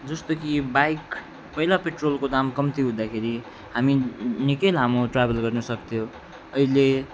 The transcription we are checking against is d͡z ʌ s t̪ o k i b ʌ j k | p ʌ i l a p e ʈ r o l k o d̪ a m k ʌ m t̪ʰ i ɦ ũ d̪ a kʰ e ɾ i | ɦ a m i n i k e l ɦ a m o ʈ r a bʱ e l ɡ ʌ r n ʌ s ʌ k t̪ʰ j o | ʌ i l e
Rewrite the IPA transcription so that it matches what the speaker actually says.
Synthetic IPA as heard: d͡z ʌ s t̪ o k i b a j k | p ʌ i l a p e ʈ r o l k o d̪ a m k ʌ m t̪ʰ i ɦ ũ d̪ a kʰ e ɾ i | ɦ a m i n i k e l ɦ a m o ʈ r a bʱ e l ɡ ʌ r n ʌ s ʌ k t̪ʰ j o | ʌ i l e